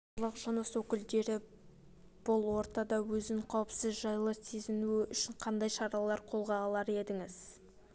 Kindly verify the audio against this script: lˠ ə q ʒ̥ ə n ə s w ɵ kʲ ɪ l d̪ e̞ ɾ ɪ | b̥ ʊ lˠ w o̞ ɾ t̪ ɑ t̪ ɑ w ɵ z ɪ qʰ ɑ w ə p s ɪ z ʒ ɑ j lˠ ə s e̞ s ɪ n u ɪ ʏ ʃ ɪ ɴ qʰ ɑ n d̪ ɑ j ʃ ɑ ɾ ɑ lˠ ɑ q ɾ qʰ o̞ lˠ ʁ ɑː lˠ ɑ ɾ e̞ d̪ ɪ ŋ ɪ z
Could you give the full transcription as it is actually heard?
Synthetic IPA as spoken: lˠ ə q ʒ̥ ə n ə s w ɵ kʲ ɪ l d̪ e̞ ɾ ɪ | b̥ ʊ lˠ w o̞ ɾ t̪ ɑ d̪ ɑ w ɵ z ɪ qʰ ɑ w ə p s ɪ z ʒ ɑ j lˠ ə s e̞ z ɪ n u ɪ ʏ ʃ ɪ ɴ qʰ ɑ n d̪ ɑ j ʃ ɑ ɾ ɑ lˠ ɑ ɾ qʰ o̞ lˠ ʁ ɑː lˠ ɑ ɾ e̞ d̪ ɪ ŋ ɪ z